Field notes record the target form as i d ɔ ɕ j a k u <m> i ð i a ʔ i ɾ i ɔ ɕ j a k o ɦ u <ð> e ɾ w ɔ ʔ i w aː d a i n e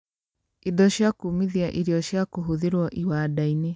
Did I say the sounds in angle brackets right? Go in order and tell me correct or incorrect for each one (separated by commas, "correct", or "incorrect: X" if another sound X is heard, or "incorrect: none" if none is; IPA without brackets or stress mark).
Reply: correct, correct